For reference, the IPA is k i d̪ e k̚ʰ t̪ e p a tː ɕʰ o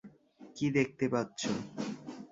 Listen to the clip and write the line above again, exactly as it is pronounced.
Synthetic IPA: k i d̪ e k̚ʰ t̪ e p a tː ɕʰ o